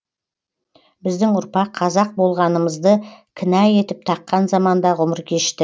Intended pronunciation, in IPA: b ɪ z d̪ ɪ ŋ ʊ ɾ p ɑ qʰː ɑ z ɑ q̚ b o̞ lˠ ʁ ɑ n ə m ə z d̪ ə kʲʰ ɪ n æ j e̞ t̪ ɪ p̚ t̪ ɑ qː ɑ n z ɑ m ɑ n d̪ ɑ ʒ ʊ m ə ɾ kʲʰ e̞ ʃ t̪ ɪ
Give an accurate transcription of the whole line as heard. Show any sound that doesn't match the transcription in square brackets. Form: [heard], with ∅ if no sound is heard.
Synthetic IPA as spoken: b ɪ z d̪ ɪ ŋ ʊ ɾ p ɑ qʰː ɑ z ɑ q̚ b o̞ lˠ ʁ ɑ n ə m ə z d̪ ə kʲʰ ɪ n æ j e̞ t̪ ɪ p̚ [t̪ʰ] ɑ qː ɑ n z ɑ m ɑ n d̪ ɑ [ʁ] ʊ m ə ɾ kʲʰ e̞ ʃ t̪ ɪ